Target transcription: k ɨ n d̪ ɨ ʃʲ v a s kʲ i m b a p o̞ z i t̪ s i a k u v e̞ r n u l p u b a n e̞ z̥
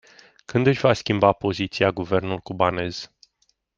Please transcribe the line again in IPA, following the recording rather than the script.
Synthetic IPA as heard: k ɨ n d̪ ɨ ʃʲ v a s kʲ i m b a p o̞ z i t̪ s i a ɡ u v e̞ r n u l k u b a n e̞ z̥